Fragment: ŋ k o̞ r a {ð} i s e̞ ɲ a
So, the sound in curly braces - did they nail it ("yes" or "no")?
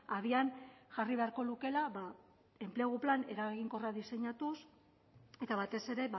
yes